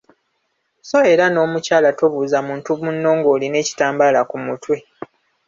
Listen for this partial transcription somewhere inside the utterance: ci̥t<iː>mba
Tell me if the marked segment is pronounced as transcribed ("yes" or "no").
no